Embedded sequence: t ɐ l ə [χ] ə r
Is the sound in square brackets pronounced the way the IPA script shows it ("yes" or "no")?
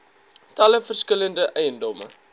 no